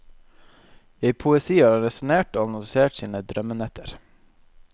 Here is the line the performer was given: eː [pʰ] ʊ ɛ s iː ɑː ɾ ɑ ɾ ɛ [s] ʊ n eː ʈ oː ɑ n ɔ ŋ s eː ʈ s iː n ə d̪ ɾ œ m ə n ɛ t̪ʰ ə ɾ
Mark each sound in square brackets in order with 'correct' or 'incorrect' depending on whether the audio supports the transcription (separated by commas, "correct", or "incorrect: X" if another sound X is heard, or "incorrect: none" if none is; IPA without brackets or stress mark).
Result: correct, correct